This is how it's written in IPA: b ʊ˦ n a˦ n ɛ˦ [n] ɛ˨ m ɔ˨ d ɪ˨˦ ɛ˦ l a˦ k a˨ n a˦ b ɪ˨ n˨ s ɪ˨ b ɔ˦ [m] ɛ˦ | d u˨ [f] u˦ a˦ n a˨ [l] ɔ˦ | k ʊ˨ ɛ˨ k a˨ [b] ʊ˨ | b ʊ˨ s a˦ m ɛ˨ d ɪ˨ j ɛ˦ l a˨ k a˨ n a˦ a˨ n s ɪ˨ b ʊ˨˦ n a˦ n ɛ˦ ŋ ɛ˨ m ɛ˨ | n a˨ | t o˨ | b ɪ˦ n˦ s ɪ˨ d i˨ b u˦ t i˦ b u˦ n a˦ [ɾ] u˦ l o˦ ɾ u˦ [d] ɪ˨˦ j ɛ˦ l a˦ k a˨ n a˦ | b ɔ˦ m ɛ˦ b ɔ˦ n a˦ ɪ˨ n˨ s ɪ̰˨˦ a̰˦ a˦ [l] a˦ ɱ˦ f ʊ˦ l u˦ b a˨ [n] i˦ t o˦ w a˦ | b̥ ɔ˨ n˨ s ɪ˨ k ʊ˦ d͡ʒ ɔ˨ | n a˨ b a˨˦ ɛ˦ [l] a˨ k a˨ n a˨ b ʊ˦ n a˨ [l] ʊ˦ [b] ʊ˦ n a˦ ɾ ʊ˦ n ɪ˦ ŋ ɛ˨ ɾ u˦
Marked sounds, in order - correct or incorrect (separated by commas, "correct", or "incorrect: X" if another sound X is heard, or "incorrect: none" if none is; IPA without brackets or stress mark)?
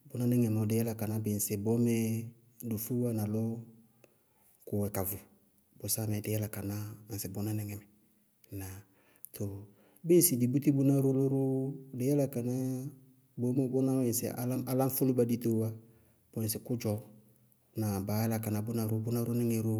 incorrect: ŋ, correct, correct, correct, incorrect: v, correct, correct, correct, incorrect: d, correct, incorrect: ɾ, correct